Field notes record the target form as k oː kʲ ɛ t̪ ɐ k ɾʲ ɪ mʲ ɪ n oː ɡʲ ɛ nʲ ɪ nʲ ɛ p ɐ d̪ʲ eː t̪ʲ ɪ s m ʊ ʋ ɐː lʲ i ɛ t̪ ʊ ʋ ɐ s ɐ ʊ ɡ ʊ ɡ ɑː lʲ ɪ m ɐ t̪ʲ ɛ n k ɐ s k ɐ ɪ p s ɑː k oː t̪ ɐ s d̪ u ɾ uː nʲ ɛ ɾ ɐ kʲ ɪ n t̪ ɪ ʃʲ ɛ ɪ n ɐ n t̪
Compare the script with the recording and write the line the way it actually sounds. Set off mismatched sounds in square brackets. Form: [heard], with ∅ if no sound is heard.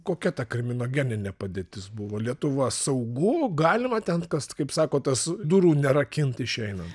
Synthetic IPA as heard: k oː kʲ ɛ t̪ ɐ k ɾʲ ɪ mʲ ɪ n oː ɡʲ ɛ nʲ ɪ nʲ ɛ p ɐ d̪ʲ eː t̪ʲ ɪ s [b] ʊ ʋ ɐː lʲ i ɛ t̪ ʊ ʋ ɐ s ɐ ʊ ɡ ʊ ɡ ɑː lʲ ɪ m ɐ t̪ʲ ɛ n k ɐ s k ɐ ɪ p s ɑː k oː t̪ ɐ s d̪ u ɾ uː nʲ ɛ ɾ ɐ kʲ ɪ n t̪ ɪ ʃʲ ɛ ɪ n ɐ n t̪